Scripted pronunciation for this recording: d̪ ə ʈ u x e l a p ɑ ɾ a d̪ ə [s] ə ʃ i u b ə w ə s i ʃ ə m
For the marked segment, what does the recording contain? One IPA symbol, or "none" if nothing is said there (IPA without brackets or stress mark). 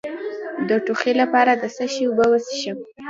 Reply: s